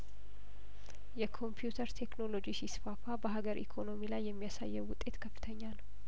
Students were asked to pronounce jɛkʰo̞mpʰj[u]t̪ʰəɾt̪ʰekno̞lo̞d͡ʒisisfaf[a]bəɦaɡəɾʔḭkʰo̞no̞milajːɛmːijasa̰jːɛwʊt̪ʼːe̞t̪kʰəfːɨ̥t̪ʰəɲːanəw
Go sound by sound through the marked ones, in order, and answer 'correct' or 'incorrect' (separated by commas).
correct, correct